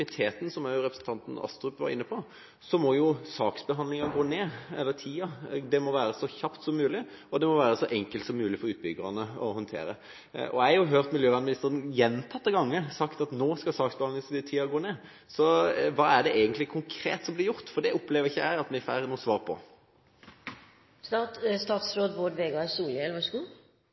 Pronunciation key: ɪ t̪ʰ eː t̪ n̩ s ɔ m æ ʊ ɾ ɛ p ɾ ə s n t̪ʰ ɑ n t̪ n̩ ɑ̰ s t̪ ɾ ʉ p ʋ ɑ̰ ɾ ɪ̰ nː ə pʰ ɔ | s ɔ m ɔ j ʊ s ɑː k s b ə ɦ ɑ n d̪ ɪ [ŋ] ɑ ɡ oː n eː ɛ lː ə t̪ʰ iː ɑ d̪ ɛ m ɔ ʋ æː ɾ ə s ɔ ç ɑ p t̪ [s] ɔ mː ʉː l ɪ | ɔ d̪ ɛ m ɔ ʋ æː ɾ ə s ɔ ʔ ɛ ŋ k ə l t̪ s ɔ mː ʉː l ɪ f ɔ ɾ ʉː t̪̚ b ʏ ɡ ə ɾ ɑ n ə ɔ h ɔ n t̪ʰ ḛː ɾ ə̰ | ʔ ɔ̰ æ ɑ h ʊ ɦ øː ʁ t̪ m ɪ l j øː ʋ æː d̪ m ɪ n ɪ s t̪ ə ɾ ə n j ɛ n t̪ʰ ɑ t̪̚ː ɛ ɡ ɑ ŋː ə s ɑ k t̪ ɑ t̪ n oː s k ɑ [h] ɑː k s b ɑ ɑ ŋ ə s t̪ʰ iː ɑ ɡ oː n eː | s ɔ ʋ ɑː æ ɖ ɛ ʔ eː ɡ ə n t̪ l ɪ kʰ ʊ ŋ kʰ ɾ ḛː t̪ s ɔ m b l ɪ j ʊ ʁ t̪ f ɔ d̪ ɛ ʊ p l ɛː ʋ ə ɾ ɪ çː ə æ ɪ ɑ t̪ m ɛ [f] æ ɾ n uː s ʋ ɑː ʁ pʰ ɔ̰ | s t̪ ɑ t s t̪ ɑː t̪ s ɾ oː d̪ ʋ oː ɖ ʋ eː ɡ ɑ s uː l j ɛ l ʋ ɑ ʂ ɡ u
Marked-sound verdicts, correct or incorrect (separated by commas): correct, correct, incorrect, correct